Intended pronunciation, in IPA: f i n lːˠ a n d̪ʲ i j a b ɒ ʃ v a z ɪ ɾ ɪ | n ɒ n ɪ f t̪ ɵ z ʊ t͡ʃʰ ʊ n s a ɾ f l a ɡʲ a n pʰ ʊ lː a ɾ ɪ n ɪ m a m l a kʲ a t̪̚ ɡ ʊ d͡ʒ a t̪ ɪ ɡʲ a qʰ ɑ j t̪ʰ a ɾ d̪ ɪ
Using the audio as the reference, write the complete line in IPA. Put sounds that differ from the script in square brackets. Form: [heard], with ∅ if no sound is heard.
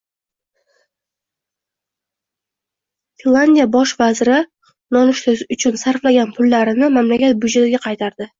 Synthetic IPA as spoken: f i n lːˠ a n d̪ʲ i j a b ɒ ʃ v a z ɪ ɾ ɪ | n ɒ n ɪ [ʃ] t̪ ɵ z ʊ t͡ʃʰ ʊ n s a ɾ f l a ɡʲ a n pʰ ʊ lː a ɾ ɪ n ɪ m a m l a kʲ a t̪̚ [b] ʊ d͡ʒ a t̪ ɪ ɡʲ a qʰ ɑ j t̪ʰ a ɾ d̪ ɪ